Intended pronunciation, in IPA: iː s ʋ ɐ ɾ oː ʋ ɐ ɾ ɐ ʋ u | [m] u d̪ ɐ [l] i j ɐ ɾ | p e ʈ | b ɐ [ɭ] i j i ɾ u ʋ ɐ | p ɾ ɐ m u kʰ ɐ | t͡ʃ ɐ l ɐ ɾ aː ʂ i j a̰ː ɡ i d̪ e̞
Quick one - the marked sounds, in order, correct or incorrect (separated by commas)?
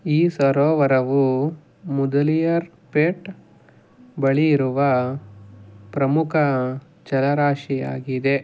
correct, correct, correct